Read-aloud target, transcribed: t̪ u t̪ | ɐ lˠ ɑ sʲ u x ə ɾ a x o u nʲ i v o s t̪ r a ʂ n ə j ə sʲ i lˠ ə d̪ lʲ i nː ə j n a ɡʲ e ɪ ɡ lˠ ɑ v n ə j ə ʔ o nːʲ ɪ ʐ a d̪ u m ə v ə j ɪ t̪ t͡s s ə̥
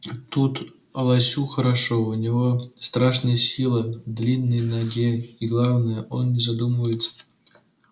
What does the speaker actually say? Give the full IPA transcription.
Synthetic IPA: t̪ u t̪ | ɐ lˠ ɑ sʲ u x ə ɾ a ʂ o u nʲ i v o s t̪ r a ʂ n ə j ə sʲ i lˠ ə d̪ lʲ i nː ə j n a ɡʲ e i ɡ lˠ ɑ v n ə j ə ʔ o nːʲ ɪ z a d̪ u m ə v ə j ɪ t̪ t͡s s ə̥

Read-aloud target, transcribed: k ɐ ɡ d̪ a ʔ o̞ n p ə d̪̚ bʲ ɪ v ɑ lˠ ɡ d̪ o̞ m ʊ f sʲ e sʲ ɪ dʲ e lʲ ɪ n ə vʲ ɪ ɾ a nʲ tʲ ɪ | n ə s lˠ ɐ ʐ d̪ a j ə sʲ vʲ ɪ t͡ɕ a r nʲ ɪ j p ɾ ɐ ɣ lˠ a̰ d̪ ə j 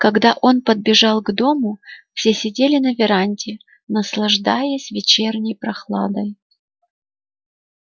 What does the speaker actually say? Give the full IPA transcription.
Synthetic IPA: k ɐ ɡ d̪ a ʔ o̞ n p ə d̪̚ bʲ ɪ ʐ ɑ lˠ ɡ d̪ o̞ m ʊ f sʲ e sʲ ɪ dʲ e lʲ ɪ n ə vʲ ɪ ɾ a nʲ tʲ ɪ | n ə s lˠ ɐ ʐ d̪ a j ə sʲ vʲ ɪ t͡ɕ e r nʲ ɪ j p ɾ ɐ x lˠ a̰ d̪ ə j

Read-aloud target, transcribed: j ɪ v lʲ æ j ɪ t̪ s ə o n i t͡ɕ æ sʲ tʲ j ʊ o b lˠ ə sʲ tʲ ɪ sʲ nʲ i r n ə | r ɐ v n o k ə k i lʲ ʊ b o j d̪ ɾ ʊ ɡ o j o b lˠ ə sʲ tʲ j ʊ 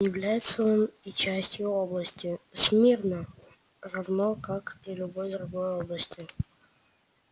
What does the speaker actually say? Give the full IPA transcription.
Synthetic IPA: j ɪ v lʲ æ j ɪ t̪ s ə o n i t͡ɕ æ sʲ tʲ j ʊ o b lˠ ə sʲ tʲ ɪ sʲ mʲ i r n ə | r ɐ v n o k a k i lʲ ʊ b o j d̪ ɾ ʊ ɡ o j o b lˠ ə sʲ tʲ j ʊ

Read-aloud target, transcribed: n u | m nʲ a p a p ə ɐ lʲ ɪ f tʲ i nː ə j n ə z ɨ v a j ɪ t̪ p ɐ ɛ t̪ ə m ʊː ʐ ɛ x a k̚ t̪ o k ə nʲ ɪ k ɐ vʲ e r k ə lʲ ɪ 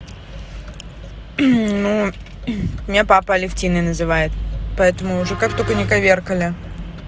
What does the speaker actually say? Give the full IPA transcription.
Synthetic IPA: n u | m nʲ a p a p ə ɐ lʲ ɪ f tʲ i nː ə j n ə z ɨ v a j ɪ t̪ p ɐ ɛ t̪ ə m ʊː ʐ ɛ k a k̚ t̪ o k ə nʲ ɪ k ɐ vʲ e r k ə lʲ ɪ

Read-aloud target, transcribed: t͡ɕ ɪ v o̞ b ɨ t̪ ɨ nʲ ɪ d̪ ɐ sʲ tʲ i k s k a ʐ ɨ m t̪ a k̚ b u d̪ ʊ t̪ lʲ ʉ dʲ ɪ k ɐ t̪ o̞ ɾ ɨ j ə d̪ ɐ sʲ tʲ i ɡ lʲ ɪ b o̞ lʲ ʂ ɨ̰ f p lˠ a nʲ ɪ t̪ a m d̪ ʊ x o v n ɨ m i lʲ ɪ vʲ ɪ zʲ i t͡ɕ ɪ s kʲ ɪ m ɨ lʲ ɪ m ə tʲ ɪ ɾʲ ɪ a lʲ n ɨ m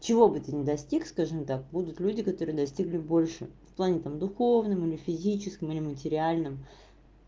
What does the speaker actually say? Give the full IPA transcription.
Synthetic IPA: t͡ɕ ɪ v o̞ b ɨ t̪ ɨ nʲ ɪ d̪ ɐ sʲ tʲ i k s k a ʐ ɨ m t̪ a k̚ b u d̪ ʊ t̪ lʲ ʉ dʲ ɪ k ɐ t̪ o̞ ɾ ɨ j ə d̪ ɐ sʲ tʲ i ɡ lʲ ɪ b o̞ lʲ ʂ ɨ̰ f p lˠ a nʲ ɪ t̪ a m d̪ ʊ x o v n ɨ m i lʲ ɪ fʲ ɪ zʲ i t͡ɕ ɪ s kʲ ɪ m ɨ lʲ ɪ m ə tʲ ɪ ɾʲ ɪ a lʲ n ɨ m

